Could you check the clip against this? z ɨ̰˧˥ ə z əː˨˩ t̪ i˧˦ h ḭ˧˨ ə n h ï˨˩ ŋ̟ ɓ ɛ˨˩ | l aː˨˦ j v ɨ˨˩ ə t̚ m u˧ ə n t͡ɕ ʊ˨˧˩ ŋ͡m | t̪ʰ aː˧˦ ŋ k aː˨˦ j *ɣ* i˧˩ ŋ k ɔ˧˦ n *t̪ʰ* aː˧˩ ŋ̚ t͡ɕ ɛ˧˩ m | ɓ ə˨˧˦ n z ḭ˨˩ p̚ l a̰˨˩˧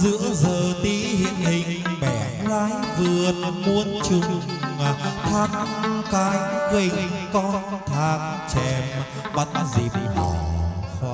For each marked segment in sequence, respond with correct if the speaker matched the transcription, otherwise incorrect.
correct, correct

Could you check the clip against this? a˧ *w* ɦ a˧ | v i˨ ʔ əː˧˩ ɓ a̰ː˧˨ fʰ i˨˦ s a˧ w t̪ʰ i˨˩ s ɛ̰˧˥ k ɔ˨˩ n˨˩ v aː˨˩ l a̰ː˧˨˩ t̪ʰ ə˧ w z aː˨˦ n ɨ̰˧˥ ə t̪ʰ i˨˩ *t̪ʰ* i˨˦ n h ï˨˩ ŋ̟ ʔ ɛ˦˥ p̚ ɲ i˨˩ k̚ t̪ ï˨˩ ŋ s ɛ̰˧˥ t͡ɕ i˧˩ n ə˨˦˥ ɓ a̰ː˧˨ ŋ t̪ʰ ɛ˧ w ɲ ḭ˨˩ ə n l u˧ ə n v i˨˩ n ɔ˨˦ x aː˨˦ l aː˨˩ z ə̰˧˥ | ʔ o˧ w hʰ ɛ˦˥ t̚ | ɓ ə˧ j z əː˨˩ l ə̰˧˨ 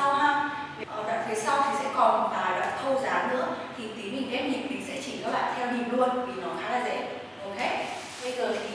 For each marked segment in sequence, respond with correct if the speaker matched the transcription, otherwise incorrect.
correct, incorrect

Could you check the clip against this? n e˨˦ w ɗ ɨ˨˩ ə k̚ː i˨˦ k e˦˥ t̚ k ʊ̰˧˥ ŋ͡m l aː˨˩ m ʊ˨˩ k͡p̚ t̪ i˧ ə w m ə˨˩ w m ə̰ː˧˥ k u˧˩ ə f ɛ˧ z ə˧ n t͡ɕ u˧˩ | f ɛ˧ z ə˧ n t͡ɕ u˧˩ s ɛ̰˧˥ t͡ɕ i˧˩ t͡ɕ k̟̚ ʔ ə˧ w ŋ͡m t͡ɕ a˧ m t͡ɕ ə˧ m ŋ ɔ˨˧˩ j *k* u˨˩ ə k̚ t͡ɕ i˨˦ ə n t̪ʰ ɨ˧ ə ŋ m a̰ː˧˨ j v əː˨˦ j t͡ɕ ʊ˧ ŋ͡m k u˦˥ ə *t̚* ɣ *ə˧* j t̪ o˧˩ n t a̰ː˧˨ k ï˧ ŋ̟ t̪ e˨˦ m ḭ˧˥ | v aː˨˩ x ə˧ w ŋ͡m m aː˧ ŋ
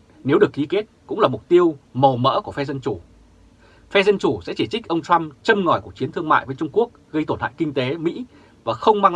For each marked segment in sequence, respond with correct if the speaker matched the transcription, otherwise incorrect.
correct, incorrect, correct

